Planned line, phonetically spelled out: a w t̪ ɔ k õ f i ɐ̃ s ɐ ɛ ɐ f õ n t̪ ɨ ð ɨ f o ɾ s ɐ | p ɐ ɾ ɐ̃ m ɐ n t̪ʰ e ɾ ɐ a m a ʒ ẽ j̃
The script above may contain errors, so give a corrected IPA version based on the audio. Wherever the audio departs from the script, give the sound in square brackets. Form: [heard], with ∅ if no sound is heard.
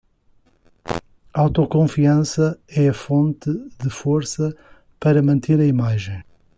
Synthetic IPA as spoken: a w t̪ ɔ k õ f i ɐ̃ s ɐ ɛ ɐ f õ n t̪ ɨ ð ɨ f o ɾ s ɐ | p ɐ ɾ [ɐ] m [ɐ̃] n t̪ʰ e ɾ ɐ [i] m a ʒ ẽ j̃